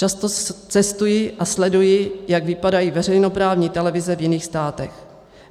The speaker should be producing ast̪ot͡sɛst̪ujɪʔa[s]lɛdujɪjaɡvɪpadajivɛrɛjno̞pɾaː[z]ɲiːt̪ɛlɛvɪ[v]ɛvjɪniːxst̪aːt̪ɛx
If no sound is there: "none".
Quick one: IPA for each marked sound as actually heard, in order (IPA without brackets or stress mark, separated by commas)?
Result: s, v, z